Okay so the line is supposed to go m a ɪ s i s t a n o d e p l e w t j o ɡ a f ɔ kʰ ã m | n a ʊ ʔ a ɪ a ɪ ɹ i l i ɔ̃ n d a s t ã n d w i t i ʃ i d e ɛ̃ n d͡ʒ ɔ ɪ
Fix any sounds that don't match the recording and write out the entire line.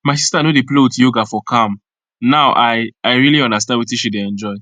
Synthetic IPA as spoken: m a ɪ s i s t a n o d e p l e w t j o ɡ a f ɔ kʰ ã m | n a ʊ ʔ a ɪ a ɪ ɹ i l i ɔ̃ n d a s t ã n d w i t i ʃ i d e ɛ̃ n d͡ʒ ɔ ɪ